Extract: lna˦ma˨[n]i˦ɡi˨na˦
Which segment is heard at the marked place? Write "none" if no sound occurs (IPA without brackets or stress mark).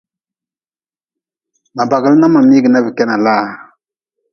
m